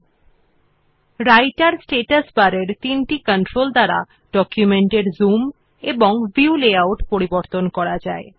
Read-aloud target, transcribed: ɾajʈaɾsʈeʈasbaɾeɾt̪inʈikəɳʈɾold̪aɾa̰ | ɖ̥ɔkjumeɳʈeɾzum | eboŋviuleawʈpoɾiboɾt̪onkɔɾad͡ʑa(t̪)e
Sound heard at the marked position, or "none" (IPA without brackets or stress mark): none